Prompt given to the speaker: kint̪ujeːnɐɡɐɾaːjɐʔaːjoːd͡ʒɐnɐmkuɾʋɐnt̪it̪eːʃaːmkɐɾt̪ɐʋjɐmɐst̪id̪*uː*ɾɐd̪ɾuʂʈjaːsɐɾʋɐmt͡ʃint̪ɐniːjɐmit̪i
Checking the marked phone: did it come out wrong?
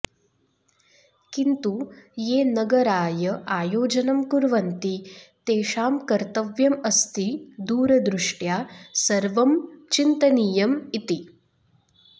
no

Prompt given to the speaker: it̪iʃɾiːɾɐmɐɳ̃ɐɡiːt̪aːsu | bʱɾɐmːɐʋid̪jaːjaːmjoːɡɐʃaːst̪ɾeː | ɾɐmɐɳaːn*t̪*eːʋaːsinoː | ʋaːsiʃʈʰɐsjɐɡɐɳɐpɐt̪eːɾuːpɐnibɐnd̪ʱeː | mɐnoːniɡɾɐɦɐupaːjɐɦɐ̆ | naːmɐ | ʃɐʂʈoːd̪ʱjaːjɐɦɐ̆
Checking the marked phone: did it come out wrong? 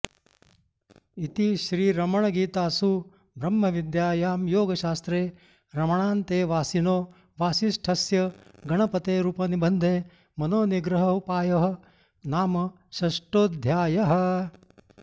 no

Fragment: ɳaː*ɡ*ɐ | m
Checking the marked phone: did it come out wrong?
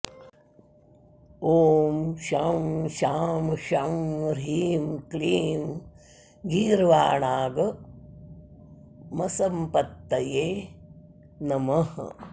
no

